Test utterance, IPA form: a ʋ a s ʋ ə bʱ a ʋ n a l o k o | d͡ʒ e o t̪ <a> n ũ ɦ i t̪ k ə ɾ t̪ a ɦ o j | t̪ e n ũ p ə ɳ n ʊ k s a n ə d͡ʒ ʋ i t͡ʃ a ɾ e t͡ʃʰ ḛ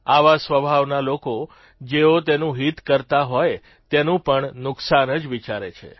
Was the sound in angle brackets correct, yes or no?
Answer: no